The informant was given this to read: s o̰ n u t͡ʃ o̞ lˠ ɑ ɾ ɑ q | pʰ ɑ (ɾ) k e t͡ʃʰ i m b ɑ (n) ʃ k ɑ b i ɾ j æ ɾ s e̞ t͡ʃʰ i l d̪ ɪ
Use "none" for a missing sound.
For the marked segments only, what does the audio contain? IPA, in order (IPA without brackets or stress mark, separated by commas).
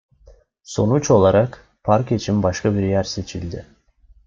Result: ɾ, none